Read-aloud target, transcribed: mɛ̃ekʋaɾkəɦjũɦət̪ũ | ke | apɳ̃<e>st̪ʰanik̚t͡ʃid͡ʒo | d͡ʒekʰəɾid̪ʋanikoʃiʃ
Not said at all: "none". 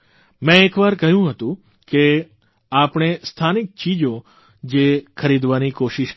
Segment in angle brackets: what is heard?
e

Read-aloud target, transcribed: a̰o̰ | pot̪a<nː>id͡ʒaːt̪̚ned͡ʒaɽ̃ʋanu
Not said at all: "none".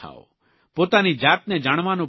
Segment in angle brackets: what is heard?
n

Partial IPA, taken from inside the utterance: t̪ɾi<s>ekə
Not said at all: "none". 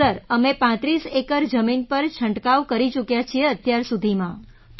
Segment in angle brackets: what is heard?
s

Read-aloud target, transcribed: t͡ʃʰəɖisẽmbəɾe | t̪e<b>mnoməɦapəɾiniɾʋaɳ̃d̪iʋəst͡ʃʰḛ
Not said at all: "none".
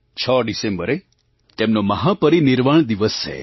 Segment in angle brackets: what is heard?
none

